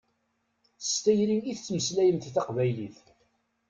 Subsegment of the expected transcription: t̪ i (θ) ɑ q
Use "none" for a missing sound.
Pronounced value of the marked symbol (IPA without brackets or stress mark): θ